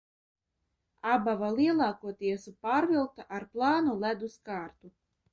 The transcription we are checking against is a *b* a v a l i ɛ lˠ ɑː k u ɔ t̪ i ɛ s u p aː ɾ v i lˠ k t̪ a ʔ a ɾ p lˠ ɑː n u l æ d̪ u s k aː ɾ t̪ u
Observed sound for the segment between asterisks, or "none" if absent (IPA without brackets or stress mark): b